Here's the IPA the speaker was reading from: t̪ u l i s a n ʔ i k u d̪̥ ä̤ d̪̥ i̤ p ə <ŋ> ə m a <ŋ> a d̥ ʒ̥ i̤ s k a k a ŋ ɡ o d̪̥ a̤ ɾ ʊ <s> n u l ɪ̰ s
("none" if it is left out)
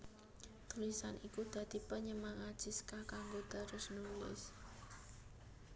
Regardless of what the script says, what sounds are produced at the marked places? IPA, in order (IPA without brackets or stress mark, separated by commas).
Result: ɲ, ŋ, s